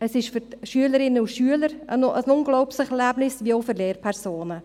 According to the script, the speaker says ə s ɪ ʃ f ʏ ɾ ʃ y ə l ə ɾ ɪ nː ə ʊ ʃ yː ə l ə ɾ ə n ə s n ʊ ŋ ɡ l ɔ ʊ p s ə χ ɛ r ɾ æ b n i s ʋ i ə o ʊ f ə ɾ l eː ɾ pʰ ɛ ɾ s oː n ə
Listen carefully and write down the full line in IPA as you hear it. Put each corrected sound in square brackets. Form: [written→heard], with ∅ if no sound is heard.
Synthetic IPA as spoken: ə s ɪ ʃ f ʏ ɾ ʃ y ə l ə ɾ ɪ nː ə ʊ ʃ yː ə l ə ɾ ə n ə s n ʊ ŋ ɡ l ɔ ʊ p s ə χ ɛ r [ɾ→l] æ b n [i→ɪ] s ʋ i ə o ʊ f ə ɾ l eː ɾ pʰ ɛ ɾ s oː n ə